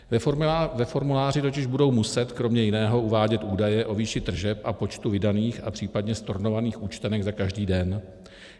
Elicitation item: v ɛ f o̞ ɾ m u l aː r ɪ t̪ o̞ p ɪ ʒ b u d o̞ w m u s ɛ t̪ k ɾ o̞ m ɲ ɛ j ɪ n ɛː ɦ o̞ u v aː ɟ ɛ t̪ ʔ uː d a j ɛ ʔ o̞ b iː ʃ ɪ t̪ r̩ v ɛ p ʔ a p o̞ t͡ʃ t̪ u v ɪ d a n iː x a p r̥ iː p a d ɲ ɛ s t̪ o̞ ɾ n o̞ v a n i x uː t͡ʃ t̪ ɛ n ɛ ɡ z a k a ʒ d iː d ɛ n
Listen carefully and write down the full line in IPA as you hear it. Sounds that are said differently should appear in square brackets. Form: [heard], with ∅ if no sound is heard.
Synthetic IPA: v ɛ f o̞ ɾ m u l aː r ɪ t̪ o̞ [c] ɪ ʒ b u d o̞ w m u s ɛ t̪ k ɾ o̞ m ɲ ɛ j ɪ n ɛː ɦ o̞ u v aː ɟ ɛ t̪ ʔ uː d a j ɛ ʔ o̞ [v] iː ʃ ɪ t̪ r̩ [ʒ] ɛ p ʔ a p o̞ t͡ʃ t̪ u v ɪ d a n iː x a p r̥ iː p a d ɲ ɛ s t̪ o̞ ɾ n o̞ v a n [iː] x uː t͡ʃ t̪ ɛ n ɛ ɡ z a k a ʒ d iː d ɛ n